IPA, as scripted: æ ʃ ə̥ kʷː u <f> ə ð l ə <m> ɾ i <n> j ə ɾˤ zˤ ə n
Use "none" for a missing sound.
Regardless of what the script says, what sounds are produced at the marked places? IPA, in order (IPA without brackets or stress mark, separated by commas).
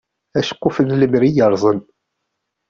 f, m, none